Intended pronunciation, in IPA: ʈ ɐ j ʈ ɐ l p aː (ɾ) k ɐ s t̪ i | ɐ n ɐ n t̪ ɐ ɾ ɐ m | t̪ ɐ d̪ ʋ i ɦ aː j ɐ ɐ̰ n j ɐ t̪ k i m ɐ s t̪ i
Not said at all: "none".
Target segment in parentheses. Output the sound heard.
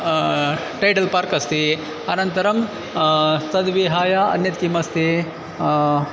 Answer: ɾ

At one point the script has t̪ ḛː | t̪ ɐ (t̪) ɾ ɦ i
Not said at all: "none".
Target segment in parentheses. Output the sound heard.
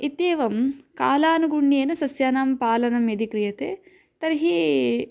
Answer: none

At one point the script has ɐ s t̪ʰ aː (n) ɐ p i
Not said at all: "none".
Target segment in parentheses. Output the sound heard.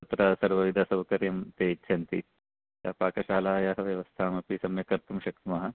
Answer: m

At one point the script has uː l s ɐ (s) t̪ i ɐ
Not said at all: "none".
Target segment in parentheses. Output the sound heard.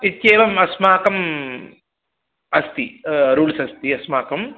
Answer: s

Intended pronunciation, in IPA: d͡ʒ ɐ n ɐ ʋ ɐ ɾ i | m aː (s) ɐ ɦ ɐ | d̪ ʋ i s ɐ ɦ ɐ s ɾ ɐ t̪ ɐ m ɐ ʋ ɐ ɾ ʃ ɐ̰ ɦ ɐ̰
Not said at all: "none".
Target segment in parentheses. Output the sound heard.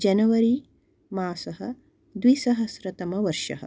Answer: s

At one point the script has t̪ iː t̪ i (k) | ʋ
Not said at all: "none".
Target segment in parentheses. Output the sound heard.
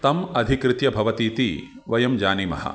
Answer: none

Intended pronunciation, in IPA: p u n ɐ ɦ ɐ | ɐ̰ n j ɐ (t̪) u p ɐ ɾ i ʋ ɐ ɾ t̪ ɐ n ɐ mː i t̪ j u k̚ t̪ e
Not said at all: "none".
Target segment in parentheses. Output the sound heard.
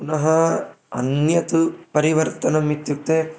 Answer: t̪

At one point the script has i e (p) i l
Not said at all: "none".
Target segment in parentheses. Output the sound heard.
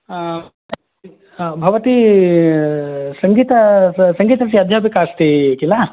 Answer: k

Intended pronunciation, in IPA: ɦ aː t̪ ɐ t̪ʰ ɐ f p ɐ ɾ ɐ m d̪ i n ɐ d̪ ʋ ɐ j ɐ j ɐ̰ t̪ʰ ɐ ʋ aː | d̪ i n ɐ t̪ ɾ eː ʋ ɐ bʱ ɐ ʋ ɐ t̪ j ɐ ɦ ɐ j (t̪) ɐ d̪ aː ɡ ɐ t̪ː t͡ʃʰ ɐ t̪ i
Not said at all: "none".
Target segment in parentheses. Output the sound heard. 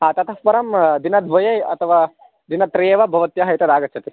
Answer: t̪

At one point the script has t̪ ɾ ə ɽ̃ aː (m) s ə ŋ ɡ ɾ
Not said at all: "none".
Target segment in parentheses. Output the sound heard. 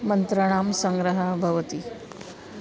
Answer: m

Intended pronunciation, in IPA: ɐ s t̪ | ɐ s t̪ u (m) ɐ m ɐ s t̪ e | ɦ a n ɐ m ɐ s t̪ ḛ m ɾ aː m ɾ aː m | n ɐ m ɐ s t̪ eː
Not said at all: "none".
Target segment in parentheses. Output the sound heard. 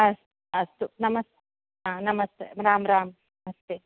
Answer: n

